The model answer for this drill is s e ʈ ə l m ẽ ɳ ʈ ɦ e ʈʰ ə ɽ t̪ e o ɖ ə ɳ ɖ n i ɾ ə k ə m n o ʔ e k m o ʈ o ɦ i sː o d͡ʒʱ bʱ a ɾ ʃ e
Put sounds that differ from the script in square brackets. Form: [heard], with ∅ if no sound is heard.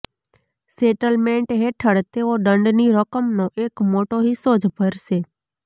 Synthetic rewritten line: s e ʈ ə l m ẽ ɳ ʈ ɦ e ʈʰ ə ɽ t̪ e o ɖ ə ɳ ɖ n i ɾ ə k ə m n o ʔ e k m o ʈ o ɦ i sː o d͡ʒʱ bʱ [ə] ɾ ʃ e